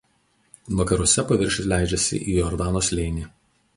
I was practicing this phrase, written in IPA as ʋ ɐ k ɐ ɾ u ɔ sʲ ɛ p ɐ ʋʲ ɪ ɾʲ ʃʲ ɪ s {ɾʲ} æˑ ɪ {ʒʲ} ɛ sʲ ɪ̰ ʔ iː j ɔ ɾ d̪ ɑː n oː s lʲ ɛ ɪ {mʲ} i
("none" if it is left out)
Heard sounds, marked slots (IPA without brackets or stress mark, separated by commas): lʲ, d͡ʒʲ, nʲ